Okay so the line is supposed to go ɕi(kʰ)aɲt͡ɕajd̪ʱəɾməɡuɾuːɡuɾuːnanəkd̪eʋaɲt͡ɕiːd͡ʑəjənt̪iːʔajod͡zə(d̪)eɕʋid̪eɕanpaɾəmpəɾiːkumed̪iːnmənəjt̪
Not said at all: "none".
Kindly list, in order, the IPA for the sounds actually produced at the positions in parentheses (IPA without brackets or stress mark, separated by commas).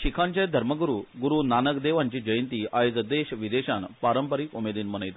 kʰ, d̪